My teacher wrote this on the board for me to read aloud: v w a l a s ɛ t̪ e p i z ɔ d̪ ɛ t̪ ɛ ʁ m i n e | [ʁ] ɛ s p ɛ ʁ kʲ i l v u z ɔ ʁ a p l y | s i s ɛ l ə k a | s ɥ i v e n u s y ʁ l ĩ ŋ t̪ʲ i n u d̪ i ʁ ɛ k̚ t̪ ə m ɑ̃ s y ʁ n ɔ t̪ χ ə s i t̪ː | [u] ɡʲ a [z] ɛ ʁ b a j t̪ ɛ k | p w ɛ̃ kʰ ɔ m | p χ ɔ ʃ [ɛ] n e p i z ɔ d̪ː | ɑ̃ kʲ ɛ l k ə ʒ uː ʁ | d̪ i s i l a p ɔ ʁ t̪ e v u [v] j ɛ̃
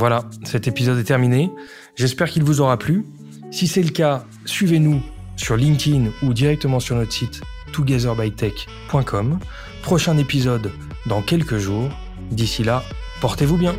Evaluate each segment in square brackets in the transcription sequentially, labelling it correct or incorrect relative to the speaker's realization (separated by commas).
incorrect, correct, correct, incorrect, incorrect